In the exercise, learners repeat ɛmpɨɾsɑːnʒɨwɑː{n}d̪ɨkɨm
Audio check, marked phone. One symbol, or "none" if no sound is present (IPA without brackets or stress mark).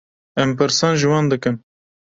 n